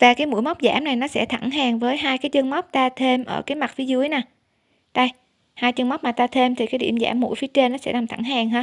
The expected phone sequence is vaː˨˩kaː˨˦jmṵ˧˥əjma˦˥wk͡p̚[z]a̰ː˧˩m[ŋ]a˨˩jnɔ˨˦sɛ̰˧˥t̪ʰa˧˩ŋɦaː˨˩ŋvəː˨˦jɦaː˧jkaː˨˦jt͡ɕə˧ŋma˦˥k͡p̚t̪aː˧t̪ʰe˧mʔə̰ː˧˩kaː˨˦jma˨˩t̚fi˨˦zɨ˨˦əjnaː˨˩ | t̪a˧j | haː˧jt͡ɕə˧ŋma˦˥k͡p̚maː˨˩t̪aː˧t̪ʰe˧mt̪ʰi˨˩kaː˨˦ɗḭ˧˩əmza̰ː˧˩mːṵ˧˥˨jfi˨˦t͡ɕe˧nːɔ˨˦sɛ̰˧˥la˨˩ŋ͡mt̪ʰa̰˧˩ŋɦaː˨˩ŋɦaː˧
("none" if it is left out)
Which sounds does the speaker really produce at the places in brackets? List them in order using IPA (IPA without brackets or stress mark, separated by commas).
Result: z, n